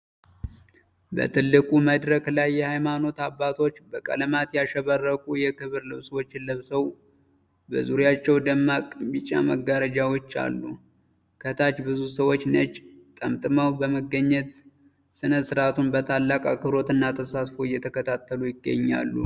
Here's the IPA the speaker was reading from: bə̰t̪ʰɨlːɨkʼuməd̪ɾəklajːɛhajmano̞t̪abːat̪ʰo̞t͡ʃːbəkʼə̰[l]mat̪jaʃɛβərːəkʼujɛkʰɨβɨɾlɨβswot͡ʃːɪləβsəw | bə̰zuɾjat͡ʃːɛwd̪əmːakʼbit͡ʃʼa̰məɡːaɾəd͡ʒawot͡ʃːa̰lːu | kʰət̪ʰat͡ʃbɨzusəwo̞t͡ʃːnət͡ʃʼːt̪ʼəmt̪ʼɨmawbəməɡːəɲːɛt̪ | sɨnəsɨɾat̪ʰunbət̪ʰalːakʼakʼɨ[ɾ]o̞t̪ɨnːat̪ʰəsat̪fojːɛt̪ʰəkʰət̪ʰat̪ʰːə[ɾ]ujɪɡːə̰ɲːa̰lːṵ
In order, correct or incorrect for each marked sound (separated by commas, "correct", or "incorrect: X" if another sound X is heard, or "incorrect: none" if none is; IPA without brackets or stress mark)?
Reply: correct, correct, incorrect: l